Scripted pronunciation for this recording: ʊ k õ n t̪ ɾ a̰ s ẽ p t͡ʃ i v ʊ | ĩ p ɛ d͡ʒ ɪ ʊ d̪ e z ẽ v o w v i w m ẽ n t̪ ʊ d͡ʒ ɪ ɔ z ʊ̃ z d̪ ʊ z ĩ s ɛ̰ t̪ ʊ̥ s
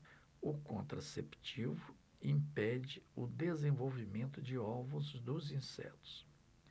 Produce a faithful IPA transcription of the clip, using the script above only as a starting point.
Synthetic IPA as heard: ʊ k õ n t̪ ɾ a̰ s e p t͡ʃ i v ʊ | ĩ p ɛ d͡ʒ ɪ ʊ d̪ e z ẽ v o w v i m ẽ n t̪ ʊ d͡ʒ ɪ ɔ v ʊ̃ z d̪ ʊ z ĩ s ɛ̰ t̪ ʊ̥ s

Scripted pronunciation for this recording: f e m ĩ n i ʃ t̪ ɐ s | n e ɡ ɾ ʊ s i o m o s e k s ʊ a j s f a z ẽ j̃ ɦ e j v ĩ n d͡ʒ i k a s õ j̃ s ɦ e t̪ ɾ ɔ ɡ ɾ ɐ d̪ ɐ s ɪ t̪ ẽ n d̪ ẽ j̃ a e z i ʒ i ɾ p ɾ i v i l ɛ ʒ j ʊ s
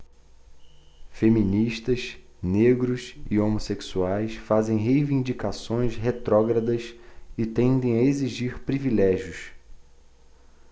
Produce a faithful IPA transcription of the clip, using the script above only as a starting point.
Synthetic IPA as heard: f e m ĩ n i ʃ t̪ ɐ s | n e ɡ ɾ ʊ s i o m o s e k s u a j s f a z ẽ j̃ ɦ e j v ĩ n d͡ʒ i k a s õ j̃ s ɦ e t̪ ɾ ɔ ɡ ɾ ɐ d̪ ɐ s ɪ t̪ ẽ n d̪ ẽ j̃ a e z i ʒ i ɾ p ɾ i v i l ɛ ʒ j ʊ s

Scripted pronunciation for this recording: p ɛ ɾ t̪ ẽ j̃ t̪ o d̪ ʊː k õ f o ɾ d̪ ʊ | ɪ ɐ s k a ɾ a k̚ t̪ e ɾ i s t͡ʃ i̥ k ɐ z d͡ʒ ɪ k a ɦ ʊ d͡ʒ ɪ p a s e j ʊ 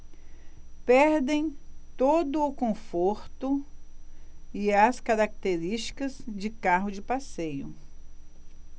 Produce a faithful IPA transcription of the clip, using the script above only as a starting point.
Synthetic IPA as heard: p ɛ ɾ d̪ ẽ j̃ t̪ o d̪ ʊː k õ f o ɾ t̪ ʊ | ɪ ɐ s k a ɾ a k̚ t̪ e ɾ i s t͡ʃ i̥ k ɐ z d͡ʒ ɪ k a ɦ ʊ d͡ʒ ɪ p a s e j ʊ

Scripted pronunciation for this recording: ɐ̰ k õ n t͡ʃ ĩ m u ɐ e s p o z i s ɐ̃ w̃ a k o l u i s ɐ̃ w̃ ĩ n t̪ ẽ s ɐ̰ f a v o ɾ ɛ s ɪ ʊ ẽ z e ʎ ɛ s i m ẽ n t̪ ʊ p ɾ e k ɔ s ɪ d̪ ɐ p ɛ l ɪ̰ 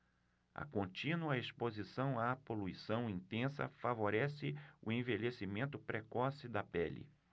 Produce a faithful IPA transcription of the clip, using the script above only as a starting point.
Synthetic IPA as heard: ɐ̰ k õ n t͡ʃ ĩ n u ɐ e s p o z i s ɐ̃ w̃ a p o l u i s ɐ̃ w̃ ĩ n t̪ ẽ s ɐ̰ f a v o ɾ ɛ s ɪ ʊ ẽ v e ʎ e s i m ẽ n t̪ ʊ p ɾ e k ɔ s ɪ d̪ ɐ p ɛ l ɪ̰

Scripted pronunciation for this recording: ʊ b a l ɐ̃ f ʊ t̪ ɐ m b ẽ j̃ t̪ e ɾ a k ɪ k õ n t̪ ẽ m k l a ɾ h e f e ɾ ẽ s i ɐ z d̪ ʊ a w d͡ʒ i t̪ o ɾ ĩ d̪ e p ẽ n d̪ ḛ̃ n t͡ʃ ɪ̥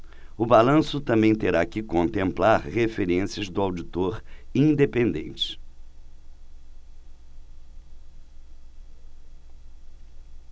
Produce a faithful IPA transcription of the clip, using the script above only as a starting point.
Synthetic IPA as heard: ʊ b a l ɐ̃ s ʊ t̪ ɐ̃ m b ẽ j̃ t̪ e ɾ a k ɪ k õ n t̪ ẽ m p l a ɾ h e f e ɾ ẽ s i ɐ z d̪ ʊ a w d͡ʒ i t̪ o ɾ ĩ d̪ e p ẽ n d̪ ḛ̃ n t͡ʃ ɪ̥

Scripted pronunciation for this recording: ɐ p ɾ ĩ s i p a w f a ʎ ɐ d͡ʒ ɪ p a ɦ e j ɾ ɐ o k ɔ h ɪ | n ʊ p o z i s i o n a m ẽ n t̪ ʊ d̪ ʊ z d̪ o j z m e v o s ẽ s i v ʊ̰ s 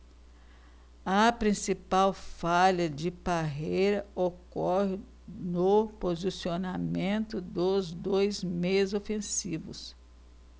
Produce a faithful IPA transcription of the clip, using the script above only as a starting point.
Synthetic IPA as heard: ɐ p ɾ ĩ s i p a w f a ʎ ɐ d͡ʒ ɪ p a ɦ e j ɾ ɐ o k ɔ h ɪ | n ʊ p o z i s i o n a m ẽ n t̪ ʊ d̪ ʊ z d̪ o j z m e z o f ẽ s i v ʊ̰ s

